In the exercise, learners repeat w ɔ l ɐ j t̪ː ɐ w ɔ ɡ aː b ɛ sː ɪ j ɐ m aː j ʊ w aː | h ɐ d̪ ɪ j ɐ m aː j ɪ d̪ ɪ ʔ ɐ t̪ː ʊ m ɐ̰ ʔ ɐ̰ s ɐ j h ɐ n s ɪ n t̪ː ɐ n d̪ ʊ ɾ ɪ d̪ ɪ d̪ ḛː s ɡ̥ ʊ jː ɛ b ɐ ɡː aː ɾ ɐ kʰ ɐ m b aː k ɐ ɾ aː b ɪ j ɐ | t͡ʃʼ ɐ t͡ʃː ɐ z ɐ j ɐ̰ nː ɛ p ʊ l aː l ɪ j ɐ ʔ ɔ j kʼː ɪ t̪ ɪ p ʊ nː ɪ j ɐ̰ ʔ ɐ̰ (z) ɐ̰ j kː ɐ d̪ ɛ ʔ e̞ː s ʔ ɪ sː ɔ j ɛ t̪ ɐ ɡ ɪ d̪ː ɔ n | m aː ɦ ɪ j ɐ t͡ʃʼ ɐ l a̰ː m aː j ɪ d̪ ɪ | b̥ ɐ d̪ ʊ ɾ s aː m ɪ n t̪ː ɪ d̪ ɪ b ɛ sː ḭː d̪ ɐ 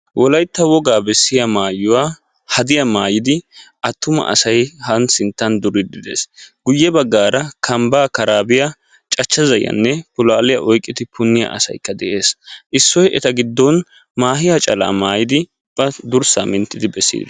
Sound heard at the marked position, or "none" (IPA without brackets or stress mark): s